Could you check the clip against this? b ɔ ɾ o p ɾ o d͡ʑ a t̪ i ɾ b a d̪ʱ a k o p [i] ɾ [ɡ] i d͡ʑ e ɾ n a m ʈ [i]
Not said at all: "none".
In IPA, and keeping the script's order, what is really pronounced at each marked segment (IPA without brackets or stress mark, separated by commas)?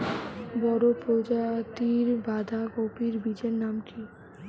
i, b, i